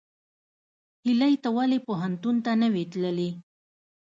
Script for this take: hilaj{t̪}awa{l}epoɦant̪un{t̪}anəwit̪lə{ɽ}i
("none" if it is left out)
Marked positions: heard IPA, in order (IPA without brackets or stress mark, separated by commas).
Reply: t̪, l, t̪, l